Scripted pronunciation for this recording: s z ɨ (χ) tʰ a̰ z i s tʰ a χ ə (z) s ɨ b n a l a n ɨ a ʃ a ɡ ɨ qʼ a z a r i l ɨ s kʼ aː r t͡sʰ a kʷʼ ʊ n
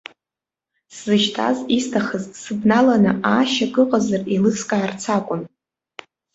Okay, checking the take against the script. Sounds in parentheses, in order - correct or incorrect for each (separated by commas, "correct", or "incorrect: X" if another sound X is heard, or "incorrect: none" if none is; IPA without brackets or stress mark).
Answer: incorrect: ʃ, correct